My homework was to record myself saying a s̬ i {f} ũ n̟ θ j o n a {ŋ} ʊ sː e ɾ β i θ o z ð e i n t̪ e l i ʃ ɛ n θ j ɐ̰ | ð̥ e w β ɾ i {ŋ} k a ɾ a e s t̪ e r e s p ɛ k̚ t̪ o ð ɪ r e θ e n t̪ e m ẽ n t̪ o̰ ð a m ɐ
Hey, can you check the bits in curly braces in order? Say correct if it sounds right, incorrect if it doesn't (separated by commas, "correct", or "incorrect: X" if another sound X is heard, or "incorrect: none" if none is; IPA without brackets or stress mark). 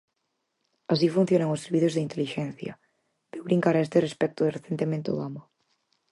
correct, correct, correct